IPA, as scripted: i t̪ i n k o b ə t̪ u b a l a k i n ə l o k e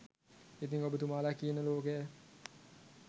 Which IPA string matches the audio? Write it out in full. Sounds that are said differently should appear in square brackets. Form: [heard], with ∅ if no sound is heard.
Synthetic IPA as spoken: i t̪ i [ŋ] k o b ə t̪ u [m] a l a k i n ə l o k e